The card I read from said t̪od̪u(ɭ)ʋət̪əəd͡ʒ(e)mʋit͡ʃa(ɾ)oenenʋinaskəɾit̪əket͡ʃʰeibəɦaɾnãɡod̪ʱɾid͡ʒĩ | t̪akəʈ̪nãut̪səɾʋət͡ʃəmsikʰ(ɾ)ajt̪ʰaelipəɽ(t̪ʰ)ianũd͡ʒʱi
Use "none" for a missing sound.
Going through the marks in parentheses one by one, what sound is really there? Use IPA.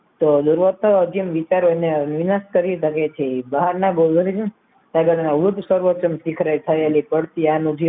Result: ɾ, i, ɾ, ɾ, t̪

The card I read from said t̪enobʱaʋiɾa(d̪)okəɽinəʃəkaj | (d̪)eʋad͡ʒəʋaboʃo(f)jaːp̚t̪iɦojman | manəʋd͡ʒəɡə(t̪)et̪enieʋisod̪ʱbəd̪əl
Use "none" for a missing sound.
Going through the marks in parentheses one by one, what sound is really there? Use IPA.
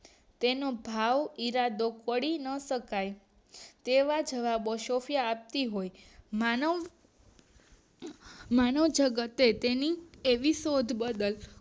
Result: d̪, t̪, f, t̪

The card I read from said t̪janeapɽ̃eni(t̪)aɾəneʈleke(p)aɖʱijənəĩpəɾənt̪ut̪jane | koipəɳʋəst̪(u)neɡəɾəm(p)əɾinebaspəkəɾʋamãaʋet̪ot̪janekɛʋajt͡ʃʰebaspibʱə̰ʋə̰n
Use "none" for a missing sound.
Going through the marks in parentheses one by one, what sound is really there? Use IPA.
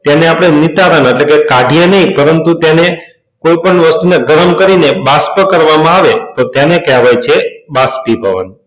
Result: t̪, k, u, k

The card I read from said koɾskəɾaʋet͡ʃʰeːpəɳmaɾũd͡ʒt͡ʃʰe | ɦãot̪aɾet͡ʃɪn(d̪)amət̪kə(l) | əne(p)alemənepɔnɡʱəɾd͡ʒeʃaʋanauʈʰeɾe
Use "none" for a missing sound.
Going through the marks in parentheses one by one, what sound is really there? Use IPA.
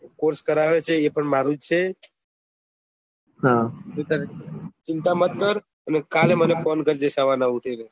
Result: t̪, ɾ, k

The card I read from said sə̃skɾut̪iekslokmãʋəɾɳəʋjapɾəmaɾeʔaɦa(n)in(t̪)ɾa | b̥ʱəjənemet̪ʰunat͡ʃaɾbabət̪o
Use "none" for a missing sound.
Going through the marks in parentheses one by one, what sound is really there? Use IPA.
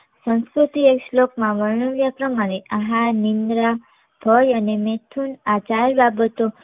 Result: n, d̪

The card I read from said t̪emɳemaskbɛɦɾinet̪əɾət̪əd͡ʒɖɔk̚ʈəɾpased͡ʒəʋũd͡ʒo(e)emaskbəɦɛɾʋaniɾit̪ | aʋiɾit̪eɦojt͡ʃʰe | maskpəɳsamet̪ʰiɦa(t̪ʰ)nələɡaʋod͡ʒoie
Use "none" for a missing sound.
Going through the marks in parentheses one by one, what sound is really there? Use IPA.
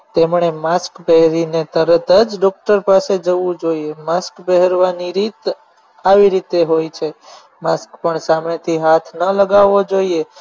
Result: i, t̪ʰ

